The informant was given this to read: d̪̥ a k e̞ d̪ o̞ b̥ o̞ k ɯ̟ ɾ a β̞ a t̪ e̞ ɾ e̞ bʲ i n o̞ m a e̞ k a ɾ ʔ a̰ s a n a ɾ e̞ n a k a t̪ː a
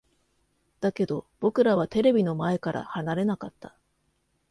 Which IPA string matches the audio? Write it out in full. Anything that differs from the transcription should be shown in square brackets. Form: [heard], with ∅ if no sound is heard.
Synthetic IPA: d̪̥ a k e̞ d̪ o̞ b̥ o̞ k ɯ̟ ɾ a β̞ a t̪ e̞ ɾ e̞ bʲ i n o̞ m a e̞ k a ɾ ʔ a̰ [h] a n a ɾ e̞ n a k a t̪ː a